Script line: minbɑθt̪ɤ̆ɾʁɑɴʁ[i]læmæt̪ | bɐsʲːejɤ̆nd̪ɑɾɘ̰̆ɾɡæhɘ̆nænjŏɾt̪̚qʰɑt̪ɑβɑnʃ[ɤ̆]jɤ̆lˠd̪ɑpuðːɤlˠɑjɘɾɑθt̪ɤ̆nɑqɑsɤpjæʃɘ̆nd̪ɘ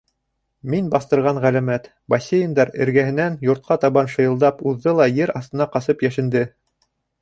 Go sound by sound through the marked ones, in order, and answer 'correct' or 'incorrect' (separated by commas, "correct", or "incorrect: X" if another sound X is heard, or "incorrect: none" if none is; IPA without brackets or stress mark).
incorrect: æ, correct